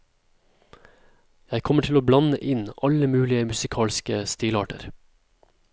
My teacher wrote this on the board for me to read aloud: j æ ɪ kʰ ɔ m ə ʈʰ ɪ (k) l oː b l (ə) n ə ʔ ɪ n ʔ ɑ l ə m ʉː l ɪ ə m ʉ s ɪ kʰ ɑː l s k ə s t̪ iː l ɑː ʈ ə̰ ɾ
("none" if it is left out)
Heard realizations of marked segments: none, ɑ

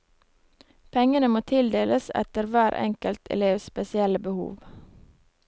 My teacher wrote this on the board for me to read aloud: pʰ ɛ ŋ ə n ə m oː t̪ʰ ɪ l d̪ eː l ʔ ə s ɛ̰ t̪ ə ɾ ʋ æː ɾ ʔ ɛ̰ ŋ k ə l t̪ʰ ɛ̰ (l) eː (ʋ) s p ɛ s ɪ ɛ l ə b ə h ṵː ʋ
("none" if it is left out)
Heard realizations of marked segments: l, ʋ

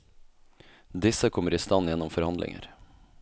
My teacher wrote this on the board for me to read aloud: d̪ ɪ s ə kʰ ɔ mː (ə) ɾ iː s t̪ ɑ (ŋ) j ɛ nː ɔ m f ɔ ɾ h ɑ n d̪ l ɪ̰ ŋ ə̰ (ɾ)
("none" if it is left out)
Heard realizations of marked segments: ə, n, ɾ

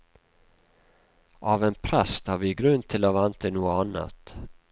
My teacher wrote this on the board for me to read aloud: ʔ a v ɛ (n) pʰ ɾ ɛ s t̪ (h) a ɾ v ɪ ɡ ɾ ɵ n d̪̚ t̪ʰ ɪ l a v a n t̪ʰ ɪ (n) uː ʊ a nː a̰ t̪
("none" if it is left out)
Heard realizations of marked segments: n, h, n

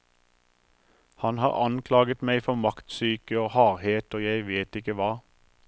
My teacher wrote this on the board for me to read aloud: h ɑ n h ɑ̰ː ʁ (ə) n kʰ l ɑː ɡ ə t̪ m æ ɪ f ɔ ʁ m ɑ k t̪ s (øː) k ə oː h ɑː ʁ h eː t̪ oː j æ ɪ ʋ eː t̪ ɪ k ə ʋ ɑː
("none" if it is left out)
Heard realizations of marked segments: ɑ, yː

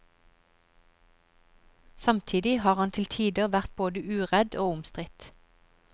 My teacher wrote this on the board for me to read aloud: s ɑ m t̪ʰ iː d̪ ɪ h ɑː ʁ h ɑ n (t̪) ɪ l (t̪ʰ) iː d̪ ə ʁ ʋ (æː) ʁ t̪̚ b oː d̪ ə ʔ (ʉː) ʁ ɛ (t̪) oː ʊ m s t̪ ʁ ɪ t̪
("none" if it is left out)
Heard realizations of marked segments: t̪ʰ, t̪ʰ, æ, ʉː, d̪

